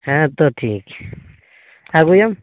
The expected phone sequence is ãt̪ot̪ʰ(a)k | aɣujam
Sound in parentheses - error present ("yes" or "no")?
yes